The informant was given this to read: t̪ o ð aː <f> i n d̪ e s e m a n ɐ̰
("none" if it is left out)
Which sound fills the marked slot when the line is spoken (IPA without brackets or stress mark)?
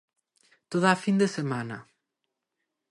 f